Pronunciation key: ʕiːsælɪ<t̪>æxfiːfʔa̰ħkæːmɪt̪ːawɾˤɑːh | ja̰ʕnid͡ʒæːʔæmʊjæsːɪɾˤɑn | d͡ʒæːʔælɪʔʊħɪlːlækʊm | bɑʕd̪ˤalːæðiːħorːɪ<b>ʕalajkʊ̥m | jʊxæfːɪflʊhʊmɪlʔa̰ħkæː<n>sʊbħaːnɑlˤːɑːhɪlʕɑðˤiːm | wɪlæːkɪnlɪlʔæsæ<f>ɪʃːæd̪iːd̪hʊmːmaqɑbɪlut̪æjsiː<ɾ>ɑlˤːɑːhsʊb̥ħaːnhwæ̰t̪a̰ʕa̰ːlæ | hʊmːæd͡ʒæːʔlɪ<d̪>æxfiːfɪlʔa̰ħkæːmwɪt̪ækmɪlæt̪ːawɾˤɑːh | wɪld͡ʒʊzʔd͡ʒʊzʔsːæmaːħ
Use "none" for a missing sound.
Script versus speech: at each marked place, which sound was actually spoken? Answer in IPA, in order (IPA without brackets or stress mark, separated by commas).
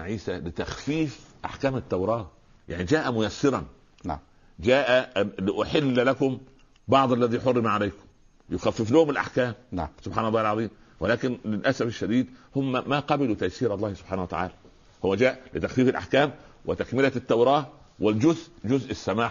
t̪, m, m, f, ɾ, t̪